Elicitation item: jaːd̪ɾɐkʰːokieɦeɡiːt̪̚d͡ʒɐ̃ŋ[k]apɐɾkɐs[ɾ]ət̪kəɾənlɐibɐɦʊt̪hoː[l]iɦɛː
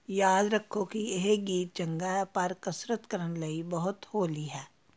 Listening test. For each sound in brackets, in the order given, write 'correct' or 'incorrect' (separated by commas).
incorrect, correct, correct